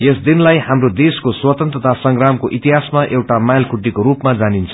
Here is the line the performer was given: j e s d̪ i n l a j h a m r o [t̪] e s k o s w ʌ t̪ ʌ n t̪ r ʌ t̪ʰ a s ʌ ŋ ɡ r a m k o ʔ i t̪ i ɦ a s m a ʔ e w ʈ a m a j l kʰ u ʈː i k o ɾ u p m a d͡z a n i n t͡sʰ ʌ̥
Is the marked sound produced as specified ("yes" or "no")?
no